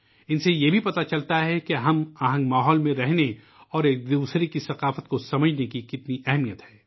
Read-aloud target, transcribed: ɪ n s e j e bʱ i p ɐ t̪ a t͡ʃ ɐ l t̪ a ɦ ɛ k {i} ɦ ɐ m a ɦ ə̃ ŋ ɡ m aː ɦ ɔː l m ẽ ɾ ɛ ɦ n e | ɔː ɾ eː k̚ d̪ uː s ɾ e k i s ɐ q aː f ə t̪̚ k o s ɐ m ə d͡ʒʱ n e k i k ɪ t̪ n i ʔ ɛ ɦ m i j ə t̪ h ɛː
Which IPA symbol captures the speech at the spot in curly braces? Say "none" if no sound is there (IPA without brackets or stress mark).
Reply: e